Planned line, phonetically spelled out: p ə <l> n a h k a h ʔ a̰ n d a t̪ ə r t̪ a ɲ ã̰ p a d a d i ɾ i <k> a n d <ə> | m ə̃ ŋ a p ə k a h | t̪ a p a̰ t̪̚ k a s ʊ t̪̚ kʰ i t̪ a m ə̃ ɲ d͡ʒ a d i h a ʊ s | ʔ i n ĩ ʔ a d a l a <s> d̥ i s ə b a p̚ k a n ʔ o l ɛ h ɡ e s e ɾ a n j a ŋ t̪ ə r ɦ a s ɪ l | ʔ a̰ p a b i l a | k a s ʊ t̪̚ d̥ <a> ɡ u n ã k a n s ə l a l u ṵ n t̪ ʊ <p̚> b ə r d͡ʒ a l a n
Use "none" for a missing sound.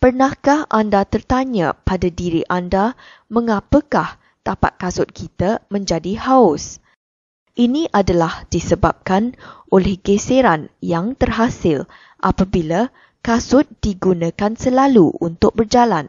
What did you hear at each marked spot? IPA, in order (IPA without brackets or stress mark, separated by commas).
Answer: r, ʔ, a, h, i, k̚